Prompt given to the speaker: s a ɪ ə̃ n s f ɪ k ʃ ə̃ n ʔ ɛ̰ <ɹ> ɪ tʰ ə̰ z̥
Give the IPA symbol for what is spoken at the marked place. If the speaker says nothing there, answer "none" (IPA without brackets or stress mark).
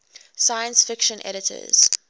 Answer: ɾ